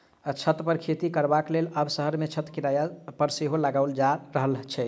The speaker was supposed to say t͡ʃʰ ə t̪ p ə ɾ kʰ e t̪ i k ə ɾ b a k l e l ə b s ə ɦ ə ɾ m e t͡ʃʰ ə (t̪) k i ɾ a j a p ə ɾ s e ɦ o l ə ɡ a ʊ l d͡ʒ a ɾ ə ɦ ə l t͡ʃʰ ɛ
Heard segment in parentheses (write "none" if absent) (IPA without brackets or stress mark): t̪